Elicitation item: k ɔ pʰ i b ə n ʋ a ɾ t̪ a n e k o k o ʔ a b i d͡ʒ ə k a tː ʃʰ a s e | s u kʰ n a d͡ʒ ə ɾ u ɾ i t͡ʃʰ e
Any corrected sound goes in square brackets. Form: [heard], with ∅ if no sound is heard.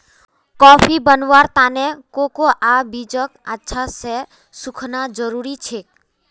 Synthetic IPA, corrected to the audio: k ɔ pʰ i b ə n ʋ a ɾ t̪ a n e k o k o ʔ a b i d͡ʒ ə k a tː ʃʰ a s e | s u kʰ n a d͡ʒ ə ɾ u ɾ i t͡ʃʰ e